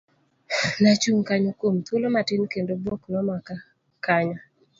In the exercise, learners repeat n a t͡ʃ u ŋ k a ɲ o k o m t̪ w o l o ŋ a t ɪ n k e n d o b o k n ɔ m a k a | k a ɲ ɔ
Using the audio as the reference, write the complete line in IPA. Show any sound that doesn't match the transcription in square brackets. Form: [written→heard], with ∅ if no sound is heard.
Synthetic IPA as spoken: n a t͡ʃ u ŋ k a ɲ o k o m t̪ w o l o [ŋ→m] a t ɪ n k e n d o b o k n ɔ m a k a | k a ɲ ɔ